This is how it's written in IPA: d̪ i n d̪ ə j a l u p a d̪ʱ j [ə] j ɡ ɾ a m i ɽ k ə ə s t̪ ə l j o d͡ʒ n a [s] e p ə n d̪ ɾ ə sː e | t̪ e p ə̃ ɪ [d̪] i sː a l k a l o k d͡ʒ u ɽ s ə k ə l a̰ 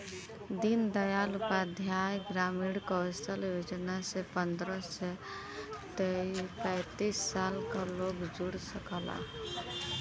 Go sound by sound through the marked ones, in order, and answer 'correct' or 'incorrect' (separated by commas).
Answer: incorrect, correct, incorrect